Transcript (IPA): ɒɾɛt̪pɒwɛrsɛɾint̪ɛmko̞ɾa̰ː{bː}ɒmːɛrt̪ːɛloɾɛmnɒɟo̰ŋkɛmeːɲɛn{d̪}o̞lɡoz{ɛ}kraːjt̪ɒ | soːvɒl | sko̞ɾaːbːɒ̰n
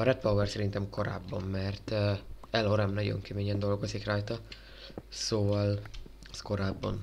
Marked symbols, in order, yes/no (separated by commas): yes, yes, no